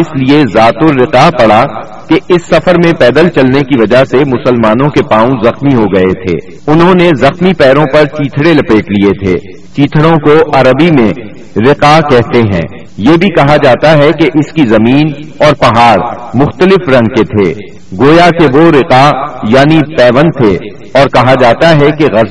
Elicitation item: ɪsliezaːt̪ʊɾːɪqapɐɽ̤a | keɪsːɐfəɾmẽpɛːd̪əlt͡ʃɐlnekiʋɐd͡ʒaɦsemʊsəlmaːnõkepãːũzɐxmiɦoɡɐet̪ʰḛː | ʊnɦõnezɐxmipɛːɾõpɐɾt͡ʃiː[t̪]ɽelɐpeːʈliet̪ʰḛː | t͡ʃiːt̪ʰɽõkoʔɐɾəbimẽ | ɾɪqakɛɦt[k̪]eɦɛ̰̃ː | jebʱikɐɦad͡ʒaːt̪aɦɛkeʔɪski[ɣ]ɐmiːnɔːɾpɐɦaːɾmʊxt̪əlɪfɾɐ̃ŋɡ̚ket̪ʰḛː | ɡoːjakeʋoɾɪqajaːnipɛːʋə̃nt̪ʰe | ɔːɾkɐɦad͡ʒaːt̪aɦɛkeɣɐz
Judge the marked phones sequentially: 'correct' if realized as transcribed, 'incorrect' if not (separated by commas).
incorrect, correct, incorrect